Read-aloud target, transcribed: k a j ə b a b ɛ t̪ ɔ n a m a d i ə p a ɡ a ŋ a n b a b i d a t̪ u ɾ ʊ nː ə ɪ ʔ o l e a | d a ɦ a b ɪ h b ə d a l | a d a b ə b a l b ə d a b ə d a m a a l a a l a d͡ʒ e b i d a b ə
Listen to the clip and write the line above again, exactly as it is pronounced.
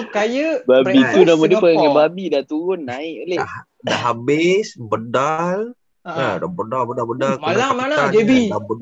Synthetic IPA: k a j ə b a b i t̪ u n a m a d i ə p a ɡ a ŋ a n b a b i d a t̪ u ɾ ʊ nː a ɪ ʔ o l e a | d a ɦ a b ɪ s b ə d a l | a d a b ə d a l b ə d a b ə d a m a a l a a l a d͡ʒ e b i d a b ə